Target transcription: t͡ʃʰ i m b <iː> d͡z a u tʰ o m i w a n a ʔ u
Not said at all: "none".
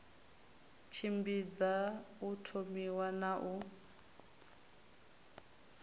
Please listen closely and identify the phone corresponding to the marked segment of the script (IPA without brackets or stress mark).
i